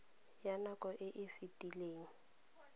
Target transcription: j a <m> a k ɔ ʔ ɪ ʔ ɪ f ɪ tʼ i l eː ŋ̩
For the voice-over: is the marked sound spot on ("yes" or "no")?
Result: no